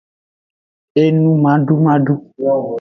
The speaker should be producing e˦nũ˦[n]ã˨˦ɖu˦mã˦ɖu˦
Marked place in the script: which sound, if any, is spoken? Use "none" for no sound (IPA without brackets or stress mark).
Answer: m